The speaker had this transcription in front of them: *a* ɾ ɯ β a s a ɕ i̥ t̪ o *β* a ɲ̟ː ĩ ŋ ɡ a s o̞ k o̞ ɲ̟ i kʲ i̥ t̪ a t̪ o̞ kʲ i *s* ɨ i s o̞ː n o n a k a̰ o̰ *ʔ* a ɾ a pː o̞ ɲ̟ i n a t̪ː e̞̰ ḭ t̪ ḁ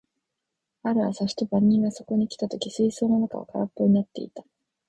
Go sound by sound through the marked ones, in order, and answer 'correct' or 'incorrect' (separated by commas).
correct, incorrect, correct, incorrect